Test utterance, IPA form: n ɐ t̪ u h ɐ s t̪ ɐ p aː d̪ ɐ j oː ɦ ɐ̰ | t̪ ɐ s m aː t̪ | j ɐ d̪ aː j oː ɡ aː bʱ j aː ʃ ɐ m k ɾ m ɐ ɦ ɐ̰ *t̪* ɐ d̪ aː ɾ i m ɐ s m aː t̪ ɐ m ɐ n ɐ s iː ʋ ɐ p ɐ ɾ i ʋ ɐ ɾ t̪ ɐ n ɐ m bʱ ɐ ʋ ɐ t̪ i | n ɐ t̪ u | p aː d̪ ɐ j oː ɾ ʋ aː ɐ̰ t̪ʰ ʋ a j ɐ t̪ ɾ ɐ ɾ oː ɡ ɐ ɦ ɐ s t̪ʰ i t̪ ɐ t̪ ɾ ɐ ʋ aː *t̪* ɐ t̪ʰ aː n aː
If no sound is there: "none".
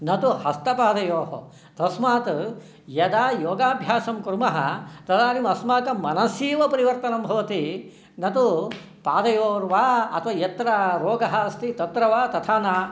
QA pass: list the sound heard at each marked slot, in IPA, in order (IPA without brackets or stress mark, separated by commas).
t̪, t̪